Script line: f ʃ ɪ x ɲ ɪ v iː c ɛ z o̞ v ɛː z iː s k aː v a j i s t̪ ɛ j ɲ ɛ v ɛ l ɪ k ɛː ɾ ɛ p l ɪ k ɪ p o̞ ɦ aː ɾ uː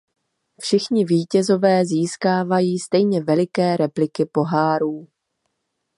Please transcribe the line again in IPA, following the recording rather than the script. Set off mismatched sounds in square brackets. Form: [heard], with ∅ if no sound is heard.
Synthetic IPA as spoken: f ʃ ɪ x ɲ ɪ v iː c ɛ z o̞ v ɛː z iː s k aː v a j [iː] s t̪ ɛ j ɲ ɛ v ɛ l ɪ k ɛː ɾ ɛ p l ɪ k ɪ p o̞ ɦ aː ɾ uː

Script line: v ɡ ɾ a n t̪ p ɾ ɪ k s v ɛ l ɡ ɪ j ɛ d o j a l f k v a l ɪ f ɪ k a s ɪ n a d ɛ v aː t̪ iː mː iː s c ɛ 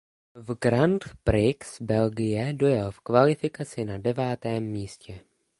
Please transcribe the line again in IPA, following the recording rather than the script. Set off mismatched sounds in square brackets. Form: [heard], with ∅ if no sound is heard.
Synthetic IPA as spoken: v ɡ ɾ a n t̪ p ɾ ɪ k s [b] ɛ l ɡ ɪ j ɛ d o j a l f k v a l ɪ f ɪ k a [t͡s] ɪ n a d ɛ v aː t̪ [ɛː] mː iː s c ɛ

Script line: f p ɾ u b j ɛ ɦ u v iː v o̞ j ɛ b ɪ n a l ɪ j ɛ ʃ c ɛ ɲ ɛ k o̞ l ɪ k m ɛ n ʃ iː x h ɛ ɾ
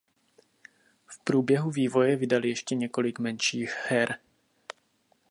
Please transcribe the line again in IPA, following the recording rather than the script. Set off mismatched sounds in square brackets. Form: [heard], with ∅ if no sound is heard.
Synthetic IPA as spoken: f p ɾ [uː] b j ɛ ɦ u v iː v o̞ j ɛ [v] ɪ [d] a l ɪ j ɛ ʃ c ɛ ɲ ɛ k o̞ l ɪ k m ɛ n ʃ iː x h ɛ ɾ

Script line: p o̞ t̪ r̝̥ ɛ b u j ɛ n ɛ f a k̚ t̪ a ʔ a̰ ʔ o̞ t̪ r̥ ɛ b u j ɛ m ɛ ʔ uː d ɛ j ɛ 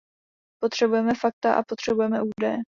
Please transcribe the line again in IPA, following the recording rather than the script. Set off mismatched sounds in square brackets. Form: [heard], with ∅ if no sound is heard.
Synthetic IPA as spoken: p o̞ t̪ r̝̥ ɛ b u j ɛ [m] ɛ f a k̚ t̪ a ʔ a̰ [p] o̞ t̪ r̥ ɛ b u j ɛ m ɛ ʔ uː d ɛ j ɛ

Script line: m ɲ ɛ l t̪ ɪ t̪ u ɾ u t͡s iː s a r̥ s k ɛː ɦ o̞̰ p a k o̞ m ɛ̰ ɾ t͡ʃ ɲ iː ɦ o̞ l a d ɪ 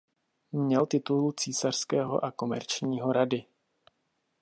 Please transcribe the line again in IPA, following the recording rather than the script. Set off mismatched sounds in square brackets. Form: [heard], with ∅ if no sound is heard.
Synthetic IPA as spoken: m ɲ ɛ l t̪ ɪ t̪ u [l] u t͡s iː s a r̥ s k ɛː ɦ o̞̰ [ʔ] a k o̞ m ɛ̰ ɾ t͡ʃ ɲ iː ɦ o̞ [ɾ] a d ɪ

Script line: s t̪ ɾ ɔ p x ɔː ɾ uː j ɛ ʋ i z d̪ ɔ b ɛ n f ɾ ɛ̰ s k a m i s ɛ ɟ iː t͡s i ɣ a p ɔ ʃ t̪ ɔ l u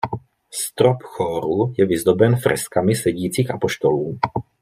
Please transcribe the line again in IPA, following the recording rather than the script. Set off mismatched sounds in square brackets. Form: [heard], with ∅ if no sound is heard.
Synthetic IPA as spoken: s t̪ ɾ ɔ p x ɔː ɾ [u] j ɛ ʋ i z d̪ ɔ b ɛ n f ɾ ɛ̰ s k a m i s ɛ ɟ iː t͡s i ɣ a p ɔ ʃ t̪ ɔ l [uː]

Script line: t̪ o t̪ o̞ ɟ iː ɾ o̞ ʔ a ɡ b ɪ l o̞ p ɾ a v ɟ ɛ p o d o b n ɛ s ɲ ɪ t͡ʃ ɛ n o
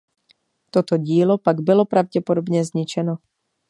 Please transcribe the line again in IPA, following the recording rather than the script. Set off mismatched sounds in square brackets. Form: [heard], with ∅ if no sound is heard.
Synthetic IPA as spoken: t̪ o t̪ o̞ ɟ iː [l] o̞ [p] a ɡ b ɪ l o̞ p ɾ a v ɟ ɛ p o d o b [ɲ] ɛ [z] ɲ ɪ t͡ʃ ɛ n o

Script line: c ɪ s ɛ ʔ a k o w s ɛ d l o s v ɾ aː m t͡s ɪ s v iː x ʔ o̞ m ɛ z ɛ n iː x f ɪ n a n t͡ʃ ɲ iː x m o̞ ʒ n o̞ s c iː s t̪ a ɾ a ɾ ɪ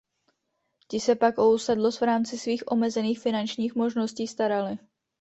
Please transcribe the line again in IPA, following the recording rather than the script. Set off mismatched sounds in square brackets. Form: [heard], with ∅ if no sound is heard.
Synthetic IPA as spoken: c ɪ s ɛ [p] a k o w s ɛ d l o s v ɾ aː m t͡s ɪ s v iː x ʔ o̞ m ɛ z ɛ n iː x f ɪ n a n t͡ʃ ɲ iː x m o̞ ʒ n o̞ s c iː s t̪ a ɾ a [l] ɪ

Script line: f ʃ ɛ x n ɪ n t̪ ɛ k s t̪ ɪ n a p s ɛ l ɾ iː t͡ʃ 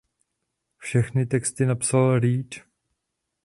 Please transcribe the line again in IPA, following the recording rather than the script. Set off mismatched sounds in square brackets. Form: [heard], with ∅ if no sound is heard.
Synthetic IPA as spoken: f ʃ ɛ x n ɪ [∅] t̪ ɛ k s t̪ ɪ n a p s [a] l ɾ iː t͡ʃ

